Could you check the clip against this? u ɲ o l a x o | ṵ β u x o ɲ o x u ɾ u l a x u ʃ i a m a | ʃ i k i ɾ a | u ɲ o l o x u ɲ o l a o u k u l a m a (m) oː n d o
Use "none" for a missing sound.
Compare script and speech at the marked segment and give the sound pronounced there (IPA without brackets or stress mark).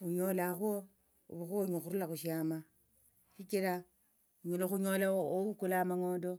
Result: ŋ